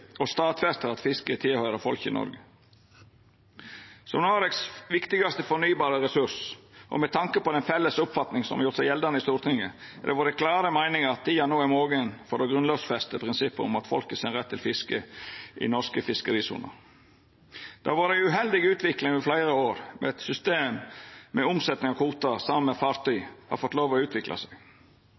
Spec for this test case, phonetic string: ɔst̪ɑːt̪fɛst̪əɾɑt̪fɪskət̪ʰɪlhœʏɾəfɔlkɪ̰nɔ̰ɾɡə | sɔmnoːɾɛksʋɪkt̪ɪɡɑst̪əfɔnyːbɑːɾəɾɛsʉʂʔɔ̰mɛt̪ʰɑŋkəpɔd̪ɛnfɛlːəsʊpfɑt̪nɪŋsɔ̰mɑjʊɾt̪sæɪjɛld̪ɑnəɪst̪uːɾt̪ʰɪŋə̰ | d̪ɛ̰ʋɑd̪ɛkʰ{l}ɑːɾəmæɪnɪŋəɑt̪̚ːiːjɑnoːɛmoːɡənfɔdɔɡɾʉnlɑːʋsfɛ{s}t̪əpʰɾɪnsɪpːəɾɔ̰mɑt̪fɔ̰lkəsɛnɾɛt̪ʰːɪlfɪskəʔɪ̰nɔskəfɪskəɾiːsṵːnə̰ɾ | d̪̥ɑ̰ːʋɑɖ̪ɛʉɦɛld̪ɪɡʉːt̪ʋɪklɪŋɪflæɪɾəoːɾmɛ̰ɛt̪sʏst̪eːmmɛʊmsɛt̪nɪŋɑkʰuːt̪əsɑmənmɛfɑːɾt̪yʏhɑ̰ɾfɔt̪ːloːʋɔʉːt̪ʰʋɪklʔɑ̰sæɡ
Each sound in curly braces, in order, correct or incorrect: correct, correct

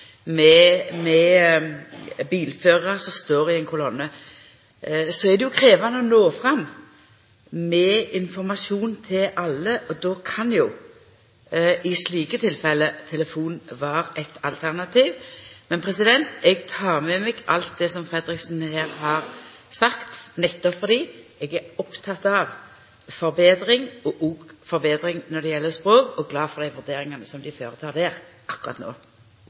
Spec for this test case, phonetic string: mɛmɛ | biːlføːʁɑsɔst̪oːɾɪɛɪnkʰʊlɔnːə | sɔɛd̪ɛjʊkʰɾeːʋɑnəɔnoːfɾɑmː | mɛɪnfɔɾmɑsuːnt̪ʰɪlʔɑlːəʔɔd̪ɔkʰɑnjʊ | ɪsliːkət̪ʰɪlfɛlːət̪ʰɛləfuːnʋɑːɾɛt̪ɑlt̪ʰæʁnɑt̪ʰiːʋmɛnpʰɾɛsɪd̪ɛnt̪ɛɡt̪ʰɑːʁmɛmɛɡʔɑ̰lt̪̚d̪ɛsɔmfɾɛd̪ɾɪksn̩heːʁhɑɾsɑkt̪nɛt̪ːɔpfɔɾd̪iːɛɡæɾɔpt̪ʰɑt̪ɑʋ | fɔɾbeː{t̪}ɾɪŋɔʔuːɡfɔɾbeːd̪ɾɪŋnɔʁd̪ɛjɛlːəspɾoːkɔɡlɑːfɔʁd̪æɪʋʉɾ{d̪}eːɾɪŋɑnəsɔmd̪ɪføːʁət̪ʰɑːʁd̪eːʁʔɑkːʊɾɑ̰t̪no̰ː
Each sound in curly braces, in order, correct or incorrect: incorrect, correct

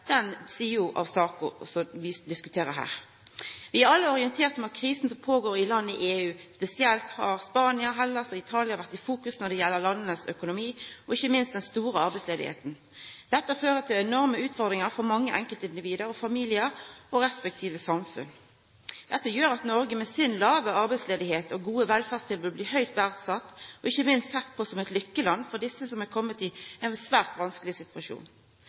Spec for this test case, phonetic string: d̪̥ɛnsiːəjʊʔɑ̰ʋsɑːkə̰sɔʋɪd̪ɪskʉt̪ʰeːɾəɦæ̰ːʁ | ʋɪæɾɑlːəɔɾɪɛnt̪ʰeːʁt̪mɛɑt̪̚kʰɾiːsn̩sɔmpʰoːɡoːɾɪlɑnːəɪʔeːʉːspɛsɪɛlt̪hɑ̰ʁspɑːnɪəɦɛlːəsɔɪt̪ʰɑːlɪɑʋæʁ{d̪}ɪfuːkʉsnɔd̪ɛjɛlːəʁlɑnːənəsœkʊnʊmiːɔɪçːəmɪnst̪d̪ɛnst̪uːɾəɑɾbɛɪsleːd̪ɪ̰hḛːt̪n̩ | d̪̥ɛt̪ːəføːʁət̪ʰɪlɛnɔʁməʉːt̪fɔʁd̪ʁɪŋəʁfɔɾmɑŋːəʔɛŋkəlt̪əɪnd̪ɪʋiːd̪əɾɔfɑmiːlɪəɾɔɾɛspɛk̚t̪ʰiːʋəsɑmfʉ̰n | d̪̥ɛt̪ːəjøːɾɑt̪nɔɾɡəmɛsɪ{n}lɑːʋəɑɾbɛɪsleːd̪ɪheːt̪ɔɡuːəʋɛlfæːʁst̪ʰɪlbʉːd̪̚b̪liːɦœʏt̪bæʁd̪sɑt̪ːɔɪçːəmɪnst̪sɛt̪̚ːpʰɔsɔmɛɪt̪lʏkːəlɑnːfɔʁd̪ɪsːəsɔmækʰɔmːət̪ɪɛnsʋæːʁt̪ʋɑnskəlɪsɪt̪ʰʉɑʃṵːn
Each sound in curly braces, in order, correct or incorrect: incorrect, correct

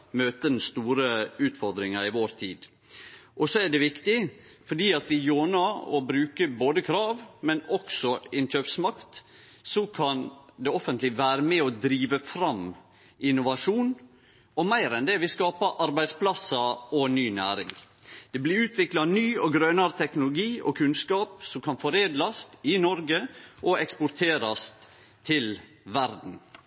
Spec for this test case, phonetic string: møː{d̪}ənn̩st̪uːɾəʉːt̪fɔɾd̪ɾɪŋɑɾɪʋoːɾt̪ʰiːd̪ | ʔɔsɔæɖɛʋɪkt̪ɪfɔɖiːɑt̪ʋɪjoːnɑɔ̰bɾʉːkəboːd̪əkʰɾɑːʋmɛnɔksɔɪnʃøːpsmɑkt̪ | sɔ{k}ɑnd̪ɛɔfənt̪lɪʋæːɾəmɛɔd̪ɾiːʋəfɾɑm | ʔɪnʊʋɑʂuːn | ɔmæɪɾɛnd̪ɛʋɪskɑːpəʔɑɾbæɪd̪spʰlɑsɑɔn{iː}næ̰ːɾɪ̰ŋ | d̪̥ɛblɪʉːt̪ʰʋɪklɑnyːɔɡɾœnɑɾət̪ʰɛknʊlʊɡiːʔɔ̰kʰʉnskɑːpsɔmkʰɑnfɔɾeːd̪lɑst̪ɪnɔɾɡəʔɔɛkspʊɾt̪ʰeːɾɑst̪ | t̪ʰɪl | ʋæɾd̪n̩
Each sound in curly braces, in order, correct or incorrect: incorrect, incorrect, incorrect

